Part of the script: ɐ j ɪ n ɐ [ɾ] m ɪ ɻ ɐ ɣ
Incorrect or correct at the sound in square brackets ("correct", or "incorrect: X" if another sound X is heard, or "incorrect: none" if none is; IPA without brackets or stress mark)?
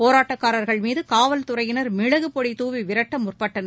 correct